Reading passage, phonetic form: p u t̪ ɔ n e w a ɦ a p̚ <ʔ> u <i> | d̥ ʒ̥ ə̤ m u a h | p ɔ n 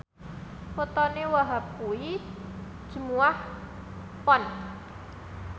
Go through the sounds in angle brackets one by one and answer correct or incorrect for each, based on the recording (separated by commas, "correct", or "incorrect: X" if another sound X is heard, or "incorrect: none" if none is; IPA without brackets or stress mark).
incorrect: k, correct